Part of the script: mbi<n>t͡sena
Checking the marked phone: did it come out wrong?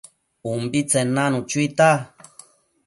yes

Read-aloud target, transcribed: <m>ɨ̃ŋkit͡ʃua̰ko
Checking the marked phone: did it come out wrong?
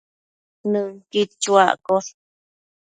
yes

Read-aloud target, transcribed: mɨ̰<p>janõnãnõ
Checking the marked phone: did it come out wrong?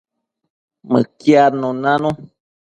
yes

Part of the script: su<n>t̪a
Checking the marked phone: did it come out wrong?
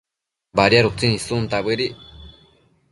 no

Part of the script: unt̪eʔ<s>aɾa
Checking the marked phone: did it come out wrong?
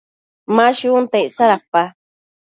no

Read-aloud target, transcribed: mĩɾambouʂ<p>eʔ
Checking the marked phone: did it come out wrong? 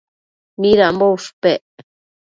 no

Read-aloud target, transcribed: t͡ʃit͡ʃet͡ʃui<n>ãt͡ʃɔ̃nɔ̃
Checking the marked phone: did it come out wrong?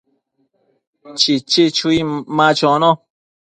yes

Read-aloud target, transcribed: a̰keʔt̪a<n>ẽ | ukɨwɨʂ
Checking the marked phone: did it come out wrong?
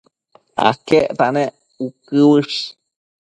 no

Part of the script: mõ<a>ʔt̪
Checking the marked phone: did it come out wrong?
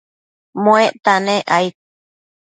yes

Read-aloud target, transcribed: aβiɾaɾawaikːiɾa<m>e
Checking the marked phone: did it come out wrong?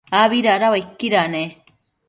yes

